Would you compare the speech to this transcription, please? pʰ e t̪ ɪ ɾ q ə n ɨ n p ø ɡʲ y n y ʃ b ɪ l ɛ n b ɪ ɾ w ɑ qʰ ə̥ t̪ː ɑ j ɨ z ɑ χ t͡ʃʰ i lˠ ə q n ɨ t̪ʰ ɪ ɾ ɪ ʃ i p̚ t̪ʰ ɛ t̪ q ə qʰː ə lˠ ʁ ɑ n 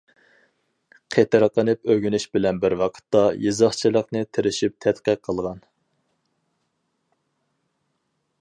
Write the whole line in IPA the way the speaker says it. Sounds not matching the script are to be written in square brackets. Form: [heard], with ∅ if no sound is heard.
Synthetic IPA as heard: [qʰ] e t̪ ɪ ɾ q ə n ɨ [∅] p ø ɡʲ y n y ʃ b ɪ l ɛ n b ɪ ɾ w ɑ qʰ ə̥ t̪ː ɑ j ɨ z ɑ χ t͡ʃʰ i lˠ ə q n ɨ t̪ʰ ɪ ɾ ɪ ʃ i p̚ t̪ʰ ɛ t̪ q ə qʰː ə lˠ ʁ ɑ n